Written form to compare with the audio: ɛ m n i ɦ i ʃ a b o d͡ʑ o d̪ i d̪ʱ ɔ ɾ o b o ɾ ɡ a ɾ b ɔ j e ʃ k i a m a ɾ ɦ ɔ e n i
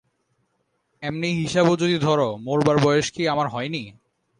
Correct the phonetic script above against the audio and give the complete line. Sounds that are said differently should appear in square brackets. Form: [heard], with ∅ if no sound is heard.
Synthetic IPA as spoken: ɛ m n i ɦ i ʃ a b o d͡ʑ o d̪ i d̪ʱ ɔ ɾ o [m] o ɾ [b] a ɾ b ɔ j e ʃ k i a m a ɾ ɦ ɔ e n i